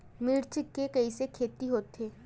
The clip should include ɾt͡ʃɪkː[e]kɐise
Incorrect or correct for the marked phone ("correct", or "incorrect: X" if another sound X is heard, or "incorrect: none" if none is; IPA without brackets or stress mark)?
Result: correct